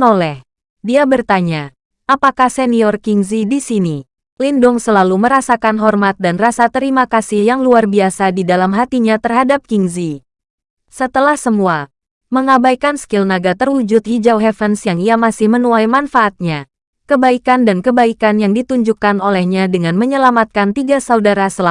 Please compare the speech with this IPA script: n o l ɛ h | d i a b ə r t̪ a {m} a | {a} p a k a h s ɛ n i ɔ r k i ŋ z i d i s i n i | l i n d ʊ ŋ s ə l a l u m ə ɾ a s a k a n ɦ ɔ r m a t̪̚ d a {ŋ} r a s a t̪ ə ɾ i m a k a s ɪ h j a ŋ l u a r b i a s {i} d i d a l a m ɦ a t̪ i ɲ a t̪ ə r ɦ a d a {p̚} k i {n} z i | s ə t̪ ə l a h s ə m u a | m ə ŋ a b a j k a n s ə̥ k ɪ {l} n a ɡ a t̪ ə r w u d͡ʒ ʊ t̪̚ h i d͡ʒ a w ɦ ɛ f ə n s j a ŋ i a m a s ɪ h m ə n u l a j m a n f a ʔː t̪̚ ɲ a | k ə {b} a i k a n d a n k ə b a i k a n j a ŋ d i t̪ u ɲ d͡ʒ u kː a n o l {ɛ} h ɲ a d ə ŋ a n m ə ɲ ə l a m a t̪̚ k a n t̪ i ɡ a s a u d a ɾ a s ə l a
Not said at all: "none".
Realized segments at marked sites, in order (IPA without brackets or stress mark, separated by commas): ɲ, a, n, a, p̚, ŋ, l, b, ɛ